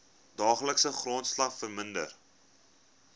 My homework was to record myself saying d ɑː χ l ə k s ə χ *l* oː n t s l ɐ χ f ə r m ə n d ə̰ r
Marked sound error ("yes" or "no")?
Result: yes